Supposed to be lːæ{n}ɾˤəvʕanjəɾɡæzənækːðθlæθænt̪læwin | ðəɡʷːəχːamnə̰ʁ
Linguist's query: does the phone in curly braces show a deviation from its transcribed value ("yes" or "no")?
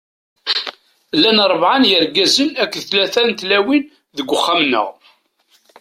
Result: no